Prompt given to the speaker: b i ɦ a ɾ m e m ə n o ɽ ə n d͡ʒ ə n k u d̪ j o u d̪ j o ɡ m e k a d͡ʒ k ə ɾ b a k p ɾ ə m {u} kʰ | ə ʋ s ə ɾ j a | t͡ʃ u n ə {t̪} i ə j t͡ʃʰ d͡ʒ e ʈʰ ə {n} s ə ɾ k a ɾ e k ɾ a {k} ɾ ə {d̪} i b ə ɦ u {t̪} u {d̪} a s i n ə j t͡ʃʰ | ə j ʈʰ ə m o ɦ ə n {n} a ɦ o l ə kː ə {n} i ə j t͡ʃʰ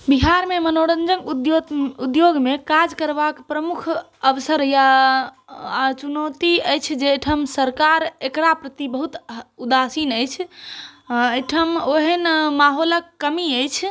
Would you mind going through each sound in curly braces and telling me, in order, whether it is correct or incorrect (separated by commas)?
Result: correct, correct, incorrect, incorrect, incorrect, correct, correct, incorrect, incorrect